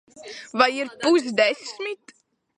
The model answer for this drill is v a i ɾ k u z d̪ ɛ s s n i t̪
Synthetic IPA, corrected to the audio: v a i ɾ p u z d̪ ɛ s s m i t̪